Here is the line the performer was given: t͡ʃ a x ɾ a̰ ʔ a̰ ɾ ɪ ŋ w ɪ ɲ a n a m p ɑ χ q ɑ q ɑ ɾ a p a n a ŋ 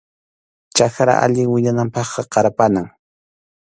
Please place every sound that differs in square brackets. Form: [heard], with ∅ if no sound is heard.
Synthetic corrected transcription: t͡ʃ a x ɾ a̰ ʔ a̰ [ʎ] ɪ ŋ w ɪ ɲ a n a m p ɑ χ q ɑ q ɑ ɾ a p a n a ŋ